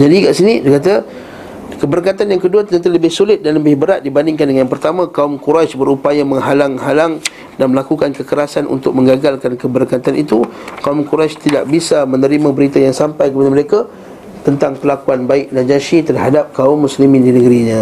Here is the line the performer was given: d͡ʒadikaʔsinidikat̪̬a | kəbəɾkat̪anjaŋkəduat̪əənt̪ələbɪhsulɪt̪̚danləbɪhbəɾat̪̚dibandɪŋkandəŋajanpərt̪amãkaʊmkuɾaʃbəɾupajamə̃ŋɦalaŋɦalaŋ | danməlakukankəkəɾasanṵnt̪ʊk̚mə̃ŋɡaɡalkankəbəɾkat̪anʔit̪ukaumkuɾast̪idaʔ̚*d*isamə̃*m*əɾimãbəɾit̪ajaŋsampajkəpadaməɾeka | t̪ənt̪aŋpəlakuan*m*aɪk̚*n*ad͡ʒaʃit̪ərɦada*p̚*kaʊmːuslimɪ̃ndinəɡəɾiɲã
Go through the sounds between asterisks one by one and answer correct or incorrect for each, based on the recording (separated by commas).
incorrect, incorrect, incorrect, correct, correct